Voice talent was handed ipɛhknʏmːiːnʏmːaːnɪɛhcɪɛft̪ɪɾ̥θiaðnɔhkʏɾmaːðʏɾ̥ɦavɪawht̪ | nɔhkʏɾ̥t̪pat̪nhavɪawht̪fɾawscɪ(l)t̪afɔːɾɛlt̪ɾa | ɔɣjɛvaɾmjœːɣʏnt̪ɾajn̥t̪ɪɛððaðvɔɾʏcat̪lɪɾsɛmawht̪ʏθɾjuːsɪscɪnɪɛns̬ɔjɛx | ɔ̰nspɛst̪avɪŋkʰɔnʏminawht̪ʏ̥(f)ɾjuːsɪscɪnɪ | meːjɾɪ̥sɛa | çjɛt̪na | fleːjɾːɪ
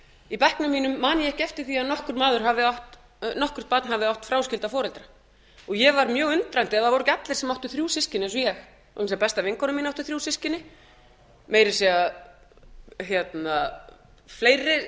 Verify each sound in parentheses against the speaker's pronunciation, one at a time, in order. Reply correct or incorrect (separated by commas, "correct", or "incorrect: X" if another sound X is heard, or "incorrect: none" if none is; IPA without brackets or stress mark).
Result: correct, incorrect: θ